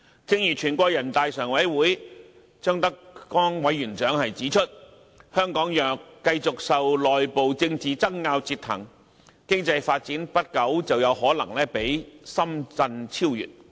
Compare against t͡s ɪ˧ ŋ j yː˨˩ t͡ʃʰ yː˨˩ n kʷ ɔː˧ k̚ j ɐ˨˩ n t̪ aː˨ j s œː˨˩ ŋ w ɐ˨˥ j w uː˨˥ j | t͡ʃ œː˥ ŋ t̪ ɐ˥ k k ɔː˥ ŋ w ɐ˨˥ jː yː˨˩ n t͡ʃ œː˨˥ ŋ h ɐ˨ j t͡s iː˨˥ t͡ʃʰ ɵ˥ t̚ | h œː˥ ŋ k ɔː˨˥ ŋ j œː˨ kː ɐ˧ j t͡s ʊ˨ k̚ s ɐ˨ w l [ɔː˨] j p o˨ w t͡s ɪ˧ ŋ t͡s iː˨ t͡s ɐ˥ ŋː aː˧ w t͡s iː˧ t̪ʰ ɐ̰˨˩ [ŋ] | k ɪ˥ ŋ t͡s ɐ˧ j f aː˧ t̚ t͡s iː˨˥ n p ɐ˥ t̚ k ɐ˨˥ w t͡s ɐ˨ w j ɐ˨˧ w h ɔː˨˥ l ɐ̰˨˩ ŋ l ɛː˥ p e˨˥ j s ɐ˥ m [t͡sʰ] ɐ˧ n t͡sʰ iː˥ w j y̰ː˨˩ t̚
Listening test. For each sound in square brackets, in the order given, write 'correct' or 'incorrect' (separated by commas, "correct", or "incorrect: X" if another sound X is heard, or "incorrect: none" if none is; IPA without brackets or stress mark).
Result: correct, correct, incorrect: t͡s